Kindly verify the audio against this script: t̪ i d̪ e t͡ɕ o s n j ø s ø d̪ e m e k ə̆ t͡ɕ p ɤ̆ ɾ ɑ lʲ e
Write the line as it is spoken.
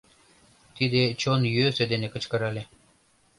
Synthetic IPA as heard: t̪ i d̪ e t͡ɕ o n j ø s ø d̪ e n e k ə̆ t͡ɕ k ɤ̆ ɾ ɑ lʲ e